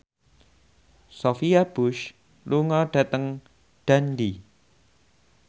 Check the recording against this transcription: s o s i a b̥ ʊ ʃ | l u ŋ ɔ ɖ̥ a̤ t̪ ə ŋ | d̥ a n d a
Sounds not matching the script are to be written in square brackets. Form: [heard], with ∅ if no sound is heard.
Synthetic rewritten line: s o [f] i a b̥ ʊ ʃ | l u ŋ ɔ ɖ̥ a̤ t̪ ə ŋ | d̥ a n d [i]